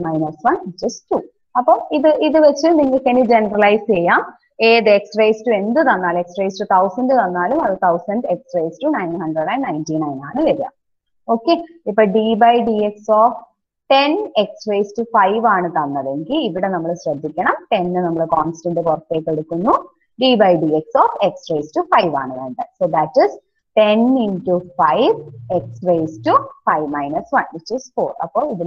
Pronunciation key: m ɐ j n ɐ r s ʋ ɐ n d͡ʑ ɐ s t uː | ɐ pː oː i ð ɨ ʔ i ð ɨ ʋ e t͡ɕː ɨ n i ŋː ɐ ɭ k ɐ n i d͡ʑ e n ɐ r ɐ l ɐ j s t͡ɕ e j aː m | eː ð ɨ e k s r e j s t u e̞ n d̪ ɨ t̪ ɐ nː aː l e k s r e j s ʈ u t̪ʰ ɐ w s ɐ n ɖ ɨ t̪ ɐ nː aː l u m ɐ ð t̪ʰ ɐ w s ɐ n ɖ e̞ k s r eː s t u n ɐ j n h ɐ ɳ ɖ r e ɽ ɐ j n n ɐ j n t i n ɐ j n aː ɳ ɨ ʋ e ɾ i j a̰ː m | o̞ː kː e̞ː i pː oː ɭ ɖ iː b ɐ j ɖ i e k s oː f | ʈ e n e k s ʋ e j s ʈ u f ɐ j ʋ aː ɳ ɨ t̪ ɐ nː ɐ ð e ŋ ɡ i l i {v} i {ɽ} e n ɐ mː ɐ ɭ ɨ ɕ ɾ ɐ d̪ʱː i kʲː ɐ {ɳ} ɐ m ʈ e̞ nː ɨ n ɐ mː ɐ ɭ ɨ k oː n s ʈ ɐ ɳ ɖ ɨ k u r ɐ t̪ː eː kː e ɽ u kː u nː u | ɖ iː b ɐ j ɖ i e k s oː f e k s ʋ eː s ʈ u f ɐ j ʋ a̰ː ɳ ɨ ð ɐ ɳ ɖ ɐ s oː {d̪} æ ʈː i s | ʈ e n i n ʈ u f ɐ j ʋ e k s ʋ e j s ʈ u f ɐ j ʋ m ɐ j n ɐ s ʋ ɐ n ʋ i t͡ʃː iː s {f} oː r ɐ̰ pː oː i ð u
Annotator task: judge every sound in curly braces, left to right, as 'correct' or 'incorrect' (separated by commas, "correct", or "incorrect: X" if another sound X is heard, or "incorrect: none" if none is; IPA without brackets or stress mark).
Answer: incorrect: ʋ, correct, correct, correct, correct